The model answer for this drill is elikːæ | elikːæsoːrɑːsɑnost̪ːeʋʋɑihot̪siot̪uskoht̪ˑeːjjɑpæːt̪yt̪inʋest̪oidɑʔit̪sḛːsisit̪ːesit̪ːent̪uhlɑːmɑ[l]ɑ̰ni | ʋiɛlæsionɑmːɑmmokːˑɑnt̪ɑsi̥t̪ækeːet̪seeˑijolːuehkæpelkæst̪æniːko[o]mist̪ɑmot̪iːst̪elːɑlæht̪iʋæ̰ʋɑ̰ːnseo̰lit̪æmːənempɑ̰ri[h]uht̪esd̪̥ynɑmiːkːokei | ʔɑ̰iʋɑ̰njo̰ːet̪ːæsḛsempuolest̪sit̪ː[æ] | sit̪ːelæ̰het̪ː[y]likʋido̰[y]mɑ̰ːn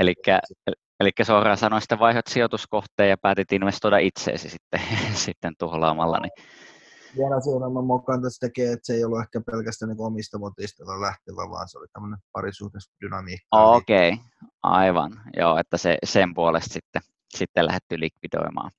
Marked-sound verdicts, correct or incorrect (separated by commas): incorrect, correct, incorrect, incorrect, correct, incorrect